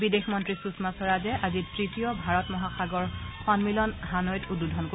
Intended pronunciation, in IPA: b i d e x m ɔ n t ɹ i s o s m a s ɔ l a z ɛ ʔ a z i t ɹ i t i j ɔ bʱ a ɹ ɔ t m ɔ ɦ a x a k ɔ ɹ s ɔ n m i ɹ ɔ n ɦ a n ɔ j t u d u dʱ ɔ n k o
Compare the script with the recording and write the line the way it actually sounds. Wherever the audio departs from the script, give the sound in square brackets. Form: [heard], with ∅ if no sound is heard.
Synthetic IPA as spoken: b i d e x m ɔ n t ɹ i s [u] s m a s ɔ [ɹ] a z ɛ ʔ a z i t ɹ i t i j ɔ bʱ a ɹ ɔ t m ɔ ɦ a x a [ɡ] ɔ ɹ [x] ɔ n m i [l] ɔ n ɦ a n ɔ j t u d u dʱ ɔ n k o

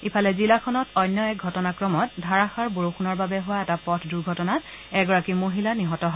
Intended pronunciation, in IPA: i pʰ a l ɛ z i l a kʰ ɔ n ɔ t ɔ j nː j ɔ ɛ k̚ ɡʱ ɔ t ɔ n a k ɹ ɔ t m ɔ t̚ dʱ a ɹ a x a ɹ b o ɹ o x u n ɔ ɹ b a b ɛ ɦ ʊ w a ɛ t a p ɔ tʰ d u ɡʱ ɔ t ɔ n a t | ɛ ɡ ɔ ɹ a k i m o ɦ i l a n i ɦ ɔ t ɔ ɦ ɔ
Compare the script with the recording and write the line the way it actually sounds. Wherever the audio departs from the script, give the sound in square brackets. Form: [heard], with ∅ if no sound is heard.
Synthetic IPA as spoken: i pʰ a l ɛ z i l a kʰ ɔ n ɔ t ɔ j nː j ɔ ɛ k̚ ɡʱ ɔ t ɔ n a k ɹ ɔ [∅] m ɔ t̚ dʱ a ɹ a x a ɹ b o ɹ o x u n ɔ ɹ b a b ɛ ɦ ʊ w a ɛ t a p ɔ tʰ d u ɡʱ ɔ t ɔ n a t | ɛ ɡ ɔ ɹ a k i m o ɦ i l a n i ɦ ɔ t ɔ ɦ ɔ

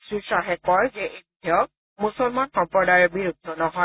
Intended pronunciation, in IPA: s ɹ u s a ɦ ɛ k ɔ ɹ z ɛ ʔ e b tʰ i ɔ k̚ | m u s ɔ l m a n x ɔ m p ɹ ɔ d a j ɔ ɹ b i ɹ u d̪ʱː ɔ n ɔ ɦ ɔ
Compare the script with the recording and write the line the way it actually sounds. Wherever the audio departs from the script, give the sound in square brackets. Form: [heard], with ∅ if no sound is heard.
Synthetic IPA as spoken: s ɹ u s a ɦ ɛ k ɔ ɹ z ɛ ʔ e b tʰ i ɔ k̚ | m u s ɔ l m a n x ɔ m p ɹ ɔ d a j ɔ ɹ b i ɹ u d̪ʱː ɔ n ɔ ɦ ɔ

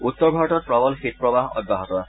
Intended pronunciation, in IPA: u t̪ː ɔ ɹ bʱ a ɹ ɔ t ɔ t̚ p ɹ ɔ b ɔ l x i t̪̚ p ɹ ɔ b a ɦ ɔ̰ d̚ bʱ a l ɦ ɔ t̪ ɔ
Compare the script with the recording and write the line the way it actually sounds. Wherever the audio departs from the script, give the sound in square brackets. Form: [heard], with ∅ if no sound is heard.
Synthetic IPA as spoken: u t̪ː ɔ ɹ bʱ a ɹ ɔ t ɔ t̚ p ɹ ɔ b ɔ l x i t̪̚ p ɹ ɔ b a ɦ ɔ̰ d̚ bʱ a [∅] ɦ ɔ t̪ ɔ

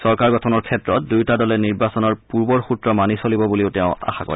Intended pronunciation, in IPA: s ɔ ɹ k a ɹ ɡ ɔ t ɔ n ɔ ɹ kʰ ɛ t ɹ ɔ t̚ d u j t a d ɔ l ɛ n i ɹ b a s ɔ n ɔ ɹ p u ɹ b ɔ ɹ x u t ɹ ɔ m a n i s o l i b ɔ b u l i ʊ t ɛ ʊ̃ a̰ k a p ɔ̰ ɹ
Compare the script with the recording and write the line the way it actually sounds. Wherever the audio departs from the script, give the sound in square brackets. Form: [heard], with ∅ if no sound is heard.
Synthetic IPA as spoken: s ɔ ɹ k a ɹ ɡ ɔ [tʰ] ɔ n ɔ ɹ kʰ ɛ t ɹ ɔ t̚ d u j t a d ɔ l ɛ n i ɹ b a s ɔ n ɔ ɹ p u ɹ b ɔ ɹ x u t ɹ ɔ m a n i s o l i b ɔ b u l i ʊ t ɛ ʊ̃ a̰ [x] a [k] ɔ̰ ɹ

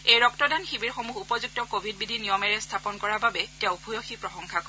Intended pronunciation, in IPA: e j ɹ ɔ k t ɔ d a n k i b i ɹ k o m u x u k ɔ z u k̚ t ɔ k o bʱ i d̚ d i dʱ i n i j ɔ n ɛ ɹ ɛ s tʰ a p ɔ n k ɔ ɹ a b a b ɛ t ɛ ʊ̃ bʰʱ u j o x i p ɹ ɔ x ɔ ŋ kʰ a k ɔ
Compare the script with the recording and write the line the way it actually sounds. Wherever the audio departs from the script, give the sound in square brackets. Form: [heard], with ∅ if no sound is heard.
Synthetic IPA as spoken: e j ɹ ɔ k t ɔ d a n [x] i b i ɹ [x] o m u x u [p] ɔ z u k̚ t ɔ k o bʱ i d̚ [b] i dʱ i n i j ɔ [m] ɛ ɹ ɛ s tʰ a p ɔ n k ɔ ɹ a b a b ɛ t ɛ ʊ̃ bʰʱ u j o x i p ɹ ɔ x ɔ ŋ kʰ a k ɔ

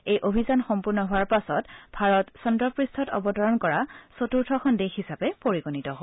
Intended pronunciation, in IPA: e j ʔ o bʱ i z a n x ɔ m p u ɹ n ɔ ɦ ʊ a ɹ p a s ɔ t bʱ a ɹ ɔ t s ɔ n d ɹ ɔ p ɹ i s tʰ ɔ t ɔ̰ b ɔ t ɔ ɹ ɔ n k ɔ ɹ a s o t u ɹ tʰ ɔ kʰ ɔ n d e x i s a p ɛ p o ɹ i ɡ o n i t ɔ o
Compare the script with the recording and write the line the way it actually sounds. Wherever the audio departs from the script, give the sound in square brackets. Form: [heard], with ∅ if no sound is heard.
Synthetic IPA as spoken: e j ʔ o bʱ i z a n x ɔ m p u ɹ n ɔ ɦ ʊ a ɹ p a s ɔ t bʱ a ɹ ɔ t s ɔ n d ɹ ɔ p ɹ i s tʰ ɔ t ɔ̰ b ɔ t ɔ ɹ ɔ n k ɔ ɹ a s o t u ɹ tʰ ɔ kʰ ɔ n d e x i s a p ɛ p o ɹ i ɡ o n i t ɔ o

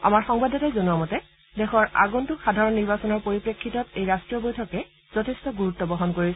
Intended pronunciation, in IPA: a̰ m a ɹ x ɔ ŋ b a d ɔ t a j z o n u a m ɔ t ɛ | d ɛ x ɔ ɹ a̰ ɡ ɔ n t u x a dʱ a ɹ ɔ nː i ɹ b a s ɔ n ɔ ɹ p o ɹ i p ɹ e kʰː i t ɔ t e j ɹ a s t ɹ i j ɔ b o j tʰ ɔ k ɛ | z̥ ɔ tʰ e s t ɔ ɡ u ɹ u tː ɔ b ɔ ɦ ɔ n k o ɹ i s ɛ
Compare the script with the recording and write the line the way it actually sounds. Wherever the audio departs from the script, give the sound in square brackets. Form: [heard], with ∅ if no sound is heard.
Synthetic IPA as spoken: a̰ m a ɹ x ɔ ŋ b a d ɔ t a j z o n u a m ɔ t ɛ | d ɛ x ɔ ɹ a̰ ɡ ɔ n t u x a dʱ a ɹ ɔ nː i ɹ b a s ɔ n ɔ ɹ p o ɹ i p ɹ e kʰː i t ɔ t e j ɹ a s t ɹ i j ɔ b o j tʰ ɔ k ɛ | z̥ ɔ tʰ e s t ɔ ɡ u ɹ u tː ɔ b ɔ ɦ ɔ n k o ɹ i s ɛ

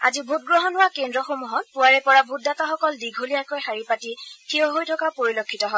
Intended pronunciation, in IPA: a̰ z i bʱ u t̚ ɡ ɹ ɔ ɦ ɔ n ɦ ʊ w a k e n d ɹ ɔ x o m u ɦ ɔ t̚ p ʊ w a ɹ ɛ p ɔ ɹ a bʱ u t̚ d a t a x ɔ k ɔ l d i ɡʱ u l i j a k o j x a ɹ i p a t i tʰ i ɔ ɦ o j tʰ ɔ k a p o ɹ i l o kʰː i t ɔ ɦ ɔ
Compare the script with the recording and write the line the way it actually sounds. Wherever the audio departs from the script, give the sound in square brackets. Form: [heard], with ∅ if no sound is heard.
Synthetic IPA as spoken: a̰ z i bʱ u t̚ ɡ ɹ ɔ ɦ ɔ n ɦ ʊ w a k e n d ɹ ɔ x o m u ɦ ɔ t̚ p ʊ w a ɹ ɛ p ɔ ɹ a bʱ u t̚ d a t a x ɔ k ɔ l d i ɡʱ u l i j a k o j x a ɹ i p a t i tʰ i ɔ ɦ o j tʰ ɔ k a p o ɹ i l o kʰː i t ɔ ɦ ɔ

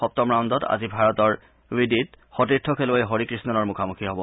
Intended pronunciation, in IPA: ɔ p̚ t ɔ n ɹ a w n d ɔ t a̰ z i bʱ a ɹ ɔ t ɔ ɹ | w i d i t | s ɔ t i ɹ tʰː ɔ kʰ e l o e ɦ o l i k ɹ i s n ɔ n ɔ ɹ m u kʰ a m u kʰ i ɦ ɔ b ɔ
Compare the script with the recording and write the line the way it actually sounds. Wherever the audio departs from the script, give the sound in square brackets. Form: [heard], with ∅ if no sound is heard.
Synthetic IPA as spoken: ɔ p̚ t ɔ [m] ɹ a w n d ɔ t a̰ z i bʱ a ɹ ɔ t ɔ ɹ | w i d i t | [x] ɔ t i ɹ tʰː ɔ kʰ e l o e ɦ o [ɹ] i k ɹ i s n ɔ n ɔ ɹ m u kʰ a m u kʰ i ɦ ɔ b ɔ

